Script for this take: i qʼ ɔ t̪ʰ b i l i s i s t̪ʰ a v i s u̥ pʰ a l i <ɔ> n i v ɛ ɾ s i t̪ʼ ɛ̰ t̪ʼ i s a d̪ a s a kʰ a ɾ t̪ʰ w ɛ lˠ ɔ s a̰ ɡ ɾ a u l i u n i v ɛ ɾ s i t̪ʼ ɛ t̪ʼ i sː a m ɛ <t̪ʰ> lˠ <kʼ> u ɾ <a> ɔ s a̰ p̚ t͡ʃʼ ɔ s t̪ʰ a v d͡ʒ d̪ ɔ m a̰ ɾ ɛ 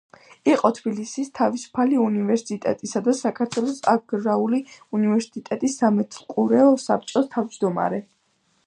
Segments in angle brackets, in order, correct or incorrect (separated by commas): incorrect, correct, correct, incorrect